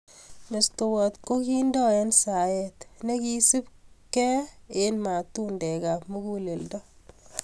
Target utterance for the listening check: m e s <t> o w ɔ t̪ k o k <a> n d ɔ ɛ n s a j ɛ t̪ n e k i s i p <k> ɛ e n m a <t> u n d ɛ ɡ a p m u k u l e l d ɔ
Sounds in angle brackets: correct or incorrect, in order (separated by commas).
correct, incorrect, correct, correct